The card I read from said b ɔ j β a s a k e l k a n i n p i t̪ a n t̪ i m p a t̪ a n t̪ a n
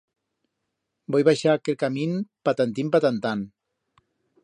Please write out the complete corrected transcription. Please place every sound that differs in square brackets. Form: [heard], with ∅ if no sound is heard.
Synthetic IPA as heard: b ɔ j β a [ʃ] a k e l k a [m] i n p [a] t̪ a n t̪ i m p a t̪ a n t̪ a n